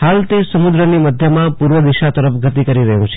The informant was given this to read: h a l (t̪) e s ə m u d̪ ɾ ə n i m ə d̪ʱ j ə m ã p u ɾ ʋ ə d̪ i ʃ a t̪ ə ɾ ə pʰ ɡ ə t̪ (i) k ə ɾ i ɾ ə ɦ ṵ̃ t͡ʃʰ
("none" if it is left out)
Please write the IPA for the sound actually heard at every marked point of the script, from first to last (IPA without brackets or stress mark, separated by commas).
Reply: t̪, i